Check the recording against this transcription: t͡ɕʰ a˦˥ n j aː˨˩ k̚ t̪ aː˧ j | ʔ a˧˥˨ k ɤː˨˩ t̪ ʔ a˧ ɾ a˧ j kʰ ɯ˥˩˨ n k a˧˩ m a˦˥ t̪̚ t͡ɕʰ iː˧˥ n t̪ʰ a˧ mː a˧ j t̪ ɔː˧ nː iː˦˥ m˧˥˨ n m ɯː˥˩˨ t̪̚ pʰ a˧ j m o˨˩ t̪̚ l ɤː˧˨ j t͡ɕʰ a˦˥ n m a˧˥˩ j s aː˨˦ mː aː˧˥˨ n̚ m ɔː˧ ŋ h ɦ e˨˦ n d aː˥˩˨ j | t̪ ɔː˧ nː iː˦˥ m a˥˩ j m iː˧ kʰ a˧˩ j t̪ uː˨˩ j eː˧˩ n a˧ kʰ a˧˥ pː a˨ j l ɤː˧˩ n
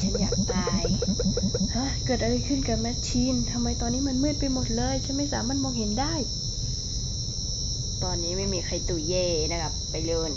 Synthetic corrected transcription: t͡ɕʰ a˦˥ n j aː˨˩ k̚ t̪ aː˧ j | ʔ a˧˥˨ k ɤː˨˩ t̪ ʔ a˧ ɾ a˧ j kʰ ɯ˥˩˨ n k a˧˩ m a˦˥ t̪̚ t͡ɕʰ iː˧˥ n t̪ʰ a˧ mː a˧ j t̪ ɔː˧ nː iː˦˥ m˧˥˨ n m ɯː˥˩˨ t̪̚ p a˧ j m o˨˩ t̪̚ l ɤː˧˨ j t͡ɕʰ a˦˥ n m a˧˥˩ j s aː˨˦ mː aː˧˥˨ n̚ m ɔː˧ ŋ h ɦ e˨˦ n d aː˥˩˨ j | t̪ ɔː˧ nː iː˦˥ m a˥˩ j m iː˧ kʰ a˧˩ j t̪ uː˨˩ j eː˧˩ n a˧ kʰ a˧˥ pː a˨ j l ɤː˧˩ n